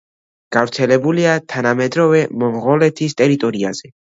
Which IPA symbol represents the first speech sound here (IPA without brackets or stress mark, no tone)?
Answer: ɡ̥